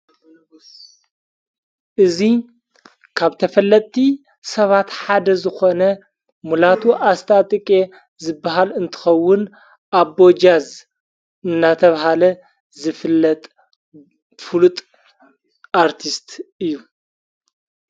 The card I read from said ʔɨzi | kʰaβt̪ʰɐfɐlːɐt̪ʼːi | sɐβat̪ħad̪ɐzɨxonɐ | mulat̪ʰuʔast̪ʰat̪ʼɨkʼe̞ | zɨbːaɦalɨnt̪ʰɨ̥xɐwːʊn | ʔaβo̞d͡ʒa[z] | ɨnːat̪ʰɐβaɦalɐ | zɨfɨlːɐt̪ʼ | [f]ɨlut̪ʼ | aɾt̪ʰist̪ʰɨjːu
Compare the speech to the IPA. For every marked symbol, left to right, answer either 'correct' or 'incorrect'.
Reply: correct, correct

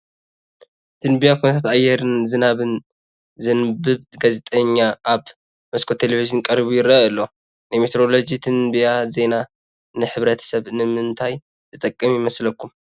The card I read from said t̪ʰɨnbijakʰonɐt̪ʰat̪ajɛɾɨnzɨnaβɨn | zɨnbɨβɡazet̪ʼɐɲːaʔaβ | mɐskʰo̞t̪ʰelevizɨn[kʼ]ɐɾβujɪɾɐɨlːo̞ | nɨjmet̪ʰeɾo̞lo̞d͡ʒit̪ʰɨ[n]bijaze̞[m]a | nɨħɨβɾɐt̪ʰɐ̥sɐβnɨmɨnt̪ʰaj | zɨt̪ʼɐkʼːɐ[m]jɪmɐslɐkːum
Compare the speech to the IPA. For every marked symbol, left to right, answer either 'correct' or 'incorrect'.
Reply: correct, correct, incorrect: n, correct

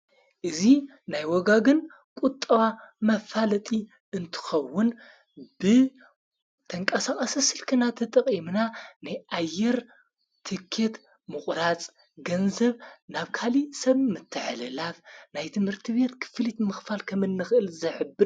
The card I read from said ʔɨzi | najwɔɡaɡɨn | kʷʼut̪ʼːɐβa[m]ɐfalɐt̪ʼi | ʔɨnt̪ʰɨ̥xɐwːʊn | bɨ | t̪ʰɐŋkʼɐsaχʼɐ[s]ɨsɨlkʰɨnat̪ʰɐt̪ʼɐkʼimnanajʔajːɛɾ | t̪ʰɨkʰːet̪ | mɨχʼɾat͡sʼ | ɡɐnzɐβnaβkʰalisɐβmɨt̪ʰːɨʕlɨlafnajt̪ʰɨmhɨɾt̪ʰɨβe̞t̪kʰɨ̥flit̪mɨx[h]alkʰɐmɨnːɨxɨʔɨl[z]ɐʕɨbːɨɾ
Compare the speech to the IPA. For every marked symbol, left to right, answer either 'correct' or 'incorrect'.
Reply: correct, correct, incorrect: f, correct

